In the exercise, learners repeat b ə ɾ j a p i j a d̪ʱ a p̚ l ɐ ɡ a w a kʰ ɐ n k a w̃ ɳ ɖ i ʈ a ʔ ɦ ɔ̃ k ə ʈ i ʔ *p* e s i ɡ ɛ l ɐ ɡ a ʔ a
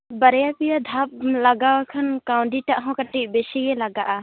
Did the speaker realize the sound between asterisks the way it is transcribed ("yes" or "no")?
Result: no